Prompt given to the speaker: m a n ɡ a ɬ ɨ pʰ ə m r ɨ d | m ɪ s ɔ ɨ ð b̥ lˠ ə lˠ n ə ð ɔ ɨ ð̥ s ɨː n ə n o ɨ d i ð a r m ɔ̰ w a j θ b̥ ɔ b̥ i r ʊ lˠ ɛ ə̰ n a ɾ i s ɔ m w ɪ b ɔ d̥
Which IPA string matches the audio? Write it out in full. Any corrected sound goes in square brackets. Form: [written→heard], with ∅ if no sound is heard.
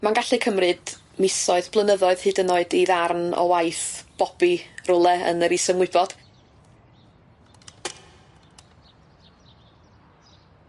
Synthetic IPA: m a n ɡ a ɬ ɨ [pʰ→kʰ] ə m r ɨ d | m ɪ s ɔ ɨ ð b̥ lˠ ə [lˠ→∅] n ə ð ɔ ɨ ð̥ [s→h] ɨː [n→d] ə n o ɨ d i ð a r [m→n] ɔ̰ w a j θ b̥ ɔ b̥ i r ʊ lˠ ɛ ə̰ n [a→ə] ɾ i s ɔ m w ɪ b ɔ d̥